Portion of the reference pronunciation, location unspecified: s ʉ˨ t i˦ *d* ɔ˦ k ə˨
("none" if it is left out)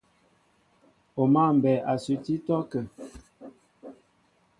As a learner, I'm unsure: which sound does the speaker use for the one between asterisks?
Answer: t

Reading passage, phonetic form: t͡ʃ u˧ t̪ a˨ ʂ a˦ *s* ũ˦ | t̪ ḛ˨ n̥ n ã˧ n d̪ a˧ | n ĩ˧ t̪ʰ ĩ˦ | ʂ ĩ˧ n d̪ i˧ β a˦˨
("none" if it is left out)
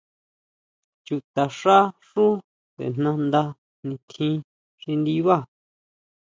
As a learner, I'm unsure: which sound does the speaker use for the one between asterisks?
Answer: ʂ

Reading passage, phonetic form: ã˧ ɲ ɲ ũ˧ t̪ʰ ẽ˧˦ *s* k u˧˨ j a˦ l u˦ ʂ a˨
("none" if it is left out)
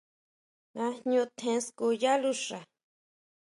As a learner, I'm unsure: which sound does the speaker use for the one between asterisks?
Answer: s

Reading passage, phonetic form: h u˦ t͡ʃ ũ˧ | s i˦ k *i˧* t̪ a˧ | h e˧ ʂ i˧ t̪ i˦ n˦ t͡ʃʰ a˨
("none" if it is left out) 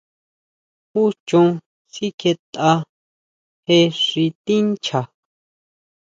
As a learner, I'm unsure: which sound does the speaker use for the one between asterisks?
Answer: e˧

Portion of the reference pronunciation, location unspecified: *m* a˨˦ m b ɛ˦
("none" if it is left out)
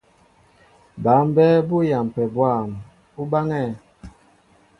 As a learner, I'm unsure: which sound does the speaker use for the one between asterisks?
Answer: b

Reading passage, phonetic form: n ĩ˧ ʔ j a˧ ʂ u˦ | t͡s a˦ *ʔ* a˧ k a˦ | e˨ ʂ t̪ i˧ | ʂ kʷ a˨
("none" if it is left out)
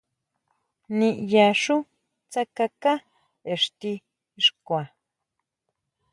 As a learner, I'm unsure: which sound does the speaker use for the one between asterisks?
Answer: k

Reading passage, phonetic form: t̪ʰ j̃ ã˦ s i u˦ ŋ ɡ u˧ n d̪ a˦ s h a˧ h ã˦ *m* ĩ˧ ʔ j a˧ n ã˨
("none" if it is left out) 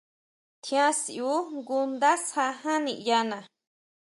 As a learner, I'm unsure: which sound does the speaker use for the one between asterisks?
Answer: n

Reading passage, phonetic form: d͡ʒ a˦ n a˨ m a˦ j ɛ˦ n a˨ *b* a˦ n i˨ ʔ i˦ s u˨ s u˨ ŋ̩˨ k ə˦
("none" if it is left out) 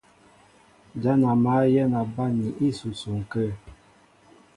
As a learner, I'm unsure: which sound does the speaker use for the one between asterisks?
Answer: b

